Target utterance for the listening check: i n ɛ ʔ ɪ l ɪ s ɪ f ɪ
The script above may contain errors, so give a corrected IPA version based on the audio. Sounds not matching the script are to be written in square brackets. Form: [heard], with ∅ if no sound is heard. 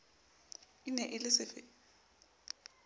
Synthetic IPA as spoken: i n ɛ ʔ ɪ l ɪ s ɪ f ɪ